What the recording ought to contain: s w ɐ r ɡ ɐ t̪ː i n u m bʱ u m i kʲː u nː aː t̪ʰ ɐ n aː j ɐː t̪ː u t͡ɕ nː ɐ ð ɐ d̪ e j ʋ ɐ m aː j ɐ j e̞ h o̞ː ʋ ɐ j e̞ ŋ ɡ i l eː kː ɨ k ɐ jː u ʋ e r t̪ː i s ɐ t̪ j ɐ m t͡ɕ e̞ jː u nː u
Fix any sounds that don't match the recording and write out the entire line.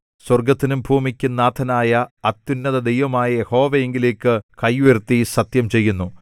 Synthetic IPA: s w ɐ r ɡ ɐ t̪ː i n u m bʱ uː m i kʲː u nː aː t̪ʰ ɐ n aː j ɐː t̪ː u nː ɐ ð ɐ d̪ e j ʋ ɐ m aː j ɐ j e̞ h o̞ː ʋ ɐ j e̞ ŋ ɡ i l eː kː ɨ k ɐ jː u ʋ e r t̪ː i s ɐ t̪ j ɐ m t͡ɕ e̞ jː u nː u